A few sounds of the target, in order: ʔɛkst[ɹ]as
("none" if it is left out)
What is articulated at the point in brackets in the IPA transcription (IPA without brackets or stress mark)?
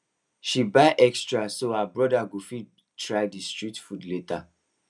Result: ɹ